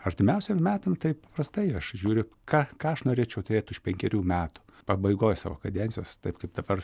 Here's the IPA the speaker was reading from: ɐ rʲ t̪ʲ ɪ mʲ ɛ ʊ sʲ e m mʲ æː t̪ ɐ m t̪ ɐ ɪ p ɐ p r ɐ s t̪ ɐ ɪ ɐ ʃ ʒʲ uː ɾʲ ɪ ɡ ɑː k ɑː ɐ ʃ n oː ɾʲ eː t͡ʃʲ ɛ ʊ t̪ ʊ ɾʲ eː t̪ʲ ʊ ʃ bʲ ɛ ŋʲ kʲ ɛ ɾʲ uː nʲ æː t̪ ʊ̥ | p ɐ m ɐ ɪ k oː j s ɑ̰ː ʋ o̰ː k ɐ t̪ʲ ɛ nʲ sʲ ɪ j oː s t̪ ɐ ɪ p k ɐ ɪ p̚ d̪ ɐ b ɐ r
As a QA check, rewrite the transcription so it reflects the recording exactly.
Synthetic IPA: ɐ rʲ t̪ʲ ɪ mʲ ɛ ʊ sʲ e m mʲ æː t̪ ɐ m t̪ ɐ ɪ p ɐ p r ɐ s t̪ ɐ ɪ ɐ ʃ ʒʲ uː ɾʲ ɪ k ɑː k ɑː ɐ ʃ n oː ɾʲ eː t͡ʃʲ ɛ ʊ t̪ ʊ ɾʲ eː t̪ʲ ʊ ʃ pʲ ɛ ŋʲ kʲ ɛ ɾʲ uː mʲ æː t̪ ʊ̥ | p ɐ b ɐ ɪ ɡ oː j s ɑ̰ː ʋ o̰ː k ɐ d̪ʲ ɛ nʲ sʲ ɪ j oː s t̪ ɐ ɪ p k ɐ ɪ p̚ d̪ ɐ b ɐ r